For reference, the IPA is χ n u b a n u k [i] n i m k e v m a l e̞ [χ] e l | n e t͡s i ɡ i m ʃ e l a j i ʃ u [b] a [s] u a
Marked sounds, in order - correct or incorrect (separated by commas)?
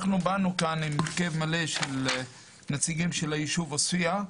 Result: incorrect, incorrect, incorrect, correct